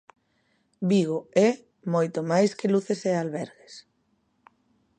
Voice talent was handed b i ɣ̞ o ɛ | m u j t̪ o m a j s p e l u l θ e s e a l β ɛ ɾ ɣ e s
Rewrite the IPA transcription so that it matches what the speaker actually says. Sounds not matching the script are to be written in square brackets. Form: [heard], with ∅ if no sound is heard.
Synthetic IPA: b i ɣ̞ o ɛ | m [o] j t̪ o m a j s [k] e l u [∅] θ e s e a l β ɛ ɾ ɣ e s